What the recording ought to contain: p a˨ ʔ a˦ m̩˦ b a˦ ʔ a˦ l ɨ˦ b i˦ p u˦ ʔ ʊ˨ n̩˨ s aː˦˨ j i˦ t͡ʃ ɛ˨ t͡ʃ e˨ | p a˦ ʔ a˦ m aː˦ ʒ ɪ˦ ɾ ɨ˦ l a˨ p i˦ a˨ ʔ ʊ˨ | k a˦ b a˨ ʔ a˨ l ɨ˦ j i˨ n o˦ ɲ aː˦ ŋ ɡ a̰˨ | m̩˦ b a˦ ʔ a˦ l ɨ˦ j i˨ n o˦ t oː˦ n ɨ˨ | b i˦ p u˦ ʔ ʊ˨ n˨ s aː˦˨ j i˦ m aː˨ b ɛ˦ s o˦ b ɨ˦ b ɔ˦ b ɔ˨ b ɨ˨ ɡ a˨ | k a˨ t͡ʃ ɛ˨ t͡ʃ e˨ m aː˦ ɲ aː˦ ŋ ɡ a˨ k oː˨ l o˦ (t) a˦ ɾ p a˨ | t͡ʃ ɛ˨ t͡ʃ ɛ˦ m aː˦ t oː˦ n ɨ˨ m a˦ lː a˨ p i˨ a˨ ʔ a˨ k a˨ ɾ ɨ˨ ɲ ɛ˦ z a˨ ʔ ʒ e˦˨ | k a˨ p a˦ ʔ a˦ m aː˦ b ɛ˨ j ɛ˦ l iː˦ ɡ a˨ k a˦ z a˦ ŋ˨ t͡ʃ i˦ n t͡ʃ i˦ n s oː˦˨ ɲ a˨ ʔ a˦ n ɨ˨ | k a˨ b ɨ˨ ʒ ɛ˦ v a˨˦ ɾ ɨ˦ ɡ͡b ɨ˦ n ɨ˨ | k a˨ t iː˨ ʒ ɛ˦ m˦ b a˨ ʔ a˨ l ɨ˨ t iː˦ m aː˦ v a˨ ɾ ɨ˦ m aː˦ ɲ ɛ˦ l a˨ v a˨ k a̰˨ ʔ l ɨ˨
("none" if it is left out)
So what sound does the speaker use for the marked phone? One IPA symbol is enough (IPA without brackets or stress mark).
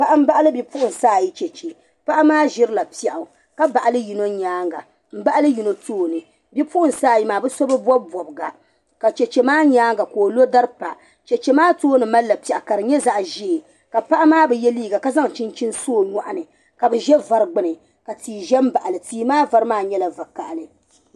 d